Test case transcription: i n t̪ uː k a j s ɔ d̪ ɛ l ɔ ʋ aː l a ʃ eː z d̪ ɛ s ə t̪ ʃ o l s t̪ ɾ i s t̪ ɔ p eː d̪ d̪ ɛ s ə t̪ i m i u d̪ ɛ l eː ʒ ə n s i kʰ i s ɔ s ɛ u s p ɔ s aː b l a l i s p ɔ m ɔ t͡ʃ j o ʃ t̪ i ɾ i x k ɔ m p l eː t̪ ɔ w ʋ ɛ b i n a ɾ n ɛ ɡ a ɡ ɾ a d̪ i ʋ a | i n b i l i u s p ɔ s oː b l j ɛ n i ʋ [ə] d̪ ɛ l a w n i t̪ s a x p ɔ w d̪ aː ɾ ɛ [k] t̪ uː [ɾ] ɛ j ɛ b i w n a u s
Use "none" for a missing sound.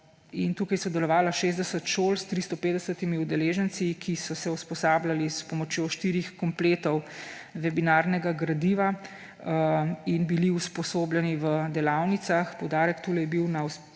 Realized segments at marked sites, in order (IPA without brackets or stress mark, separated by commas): ə, k, l